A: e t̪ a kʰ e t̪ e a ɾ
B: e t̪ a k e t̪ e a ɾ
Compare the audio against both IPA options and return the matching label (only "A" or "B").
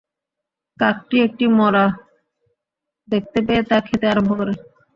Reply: A